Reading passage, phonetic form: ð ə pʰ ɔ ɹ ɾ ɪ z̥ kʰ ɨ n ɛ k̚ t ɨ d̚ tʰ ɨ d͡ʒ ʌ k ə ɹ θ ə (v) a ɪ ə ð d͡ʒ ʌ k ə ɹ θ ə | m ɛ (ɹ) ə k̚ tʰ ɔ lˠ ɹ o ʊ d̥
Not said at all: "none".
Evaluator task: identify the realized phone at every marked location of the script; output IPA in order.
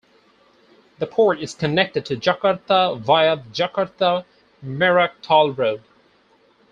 v, ɹ

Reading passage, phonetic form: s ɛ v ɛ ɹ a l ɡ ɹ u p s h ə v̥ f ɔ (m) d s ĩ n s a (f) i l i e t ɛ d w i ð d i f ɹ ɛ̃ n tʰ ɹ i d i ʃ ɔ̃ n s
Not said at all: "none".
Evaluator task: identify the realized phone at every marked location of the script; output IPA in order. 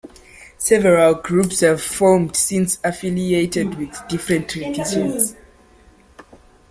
m, f

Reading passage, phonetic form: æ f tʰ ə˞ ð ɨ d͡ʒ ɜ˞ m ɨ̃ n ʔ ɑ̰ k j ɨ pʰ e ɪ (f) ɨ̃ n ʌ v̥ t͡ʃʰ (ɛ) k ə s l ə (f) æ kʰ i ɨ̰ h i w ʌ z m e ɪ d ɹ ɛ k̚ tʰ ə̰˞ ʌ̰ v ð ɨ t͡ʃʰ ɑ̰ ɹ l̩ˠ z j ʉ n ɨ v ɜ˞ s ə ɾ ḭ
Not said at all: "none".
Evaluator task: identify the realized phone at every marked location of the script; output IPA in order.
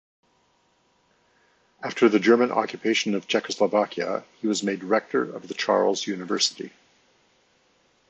ʃ, ɛ, v

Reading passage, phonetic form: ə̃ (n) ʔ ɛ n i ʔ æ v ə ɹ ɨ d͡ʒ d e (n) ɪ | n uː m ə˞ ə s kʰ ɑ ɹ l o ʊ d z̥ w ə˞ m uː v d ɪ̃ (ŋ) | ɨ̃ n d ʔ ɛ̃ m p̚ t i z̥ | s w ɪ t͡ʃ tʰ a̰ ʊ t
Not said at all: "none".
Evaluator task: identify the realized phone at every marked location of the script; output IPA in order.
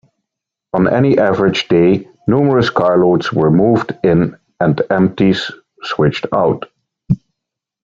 n, none, n

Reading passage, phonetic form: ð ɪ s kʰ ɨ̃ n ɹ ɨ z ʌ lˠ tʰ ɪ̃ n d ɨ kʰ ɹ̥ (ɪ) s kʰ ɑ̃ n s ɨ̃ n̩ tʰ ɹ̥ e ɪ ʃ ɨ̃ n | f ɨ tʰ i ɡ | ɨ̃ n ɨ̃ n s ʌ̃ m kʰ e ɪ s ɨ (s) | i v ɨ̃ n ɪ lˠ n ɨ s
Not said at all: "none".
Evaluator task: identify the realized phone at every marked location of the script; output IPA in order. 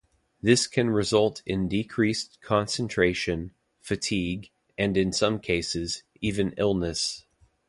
i, z

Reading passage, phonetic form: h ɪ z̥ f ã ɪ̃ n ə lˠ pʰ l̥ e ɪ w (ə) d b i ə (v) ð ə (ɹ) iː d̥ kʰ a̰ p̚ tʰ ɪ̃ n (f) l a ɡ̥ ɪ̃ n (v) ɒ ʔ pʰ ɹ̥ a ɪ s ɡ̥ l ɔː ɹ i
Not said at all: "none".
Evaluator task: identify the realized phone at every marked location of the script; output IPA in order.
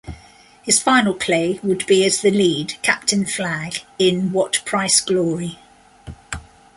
ə, z, l, f, w

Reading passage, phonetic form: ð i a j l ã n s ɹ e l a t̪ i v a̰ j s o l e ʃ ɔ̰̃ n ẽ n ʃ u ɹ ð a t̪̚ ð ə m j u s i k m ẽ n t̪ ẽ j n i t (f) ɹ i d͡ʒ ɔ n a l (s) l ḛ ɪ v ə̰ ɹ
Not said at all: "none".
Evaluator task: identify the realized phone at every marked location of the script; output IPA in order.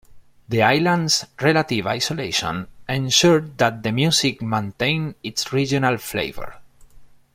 s, f

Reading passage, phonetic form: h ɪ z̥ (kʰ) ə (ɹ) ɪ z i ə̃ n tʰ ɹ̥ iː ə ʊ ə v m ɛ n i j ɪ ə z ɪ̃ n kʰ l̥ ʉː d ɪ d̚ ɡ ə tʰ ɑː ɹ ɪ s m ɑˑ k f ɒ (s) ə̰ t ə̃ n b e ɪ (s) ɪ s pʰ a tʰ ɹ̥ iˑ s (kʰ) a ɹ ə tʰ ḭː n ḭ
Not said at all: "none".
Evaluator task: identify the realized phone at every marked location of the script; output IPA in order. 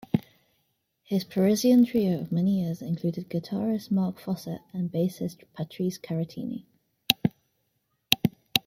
pʰ, ɹ, s, s, kʰ

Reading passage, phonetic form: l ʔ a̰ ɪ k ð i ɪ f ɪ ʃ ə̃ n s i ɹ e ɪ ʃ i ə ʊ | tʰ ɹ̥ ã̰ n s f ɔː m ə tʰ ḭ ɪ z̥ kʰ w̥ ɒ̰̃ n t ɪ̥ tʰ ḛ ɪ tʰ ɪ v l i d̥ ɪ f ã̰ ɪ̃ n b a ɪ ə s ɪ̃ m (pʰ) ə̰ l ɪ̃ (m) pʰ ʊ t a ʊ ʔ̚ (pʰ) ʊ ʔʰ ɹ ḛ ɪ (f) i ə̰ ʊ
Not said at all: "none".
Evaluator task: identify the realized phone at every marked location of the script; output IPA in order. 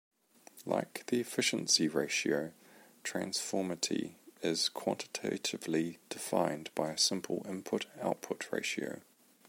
pʰ, m, pʰ, ʃ

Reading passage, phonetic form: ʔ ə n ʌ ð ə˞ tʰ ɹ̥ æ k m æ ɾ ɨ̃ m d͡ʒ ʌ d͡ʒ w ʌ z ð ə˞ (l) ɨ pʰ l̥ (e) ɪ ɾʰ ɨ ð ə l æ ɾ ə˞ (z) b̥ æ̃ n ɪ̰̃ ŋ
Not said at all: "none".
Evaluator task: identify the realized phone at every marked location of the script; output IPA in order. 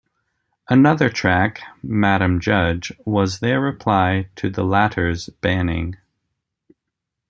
ɹ, a, z

